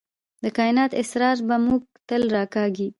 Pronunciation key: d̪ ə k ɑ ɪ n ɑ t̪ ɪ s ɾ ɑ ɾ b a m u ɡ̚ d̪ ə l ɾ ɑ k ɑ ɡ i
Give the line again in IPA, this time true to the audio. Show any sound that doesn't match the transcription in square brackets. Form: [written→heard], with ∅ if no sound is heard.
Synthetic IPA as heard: d̪ ə k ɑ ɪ n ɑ t̪ ɪ s ɾ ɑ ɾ b a m u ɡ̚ [d̪→t̪] ə l ɾ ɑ k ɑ ɡ i